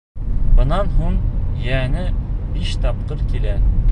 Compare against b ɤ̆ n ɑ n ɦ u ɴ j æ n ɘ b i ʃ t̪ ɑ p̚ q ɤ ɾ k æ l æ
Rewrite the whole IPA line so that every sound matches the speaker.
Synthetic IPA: b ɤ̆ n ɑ n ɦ u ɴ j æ n ɘ b i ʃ t̪ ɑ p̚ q ɤ ɾ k i l æ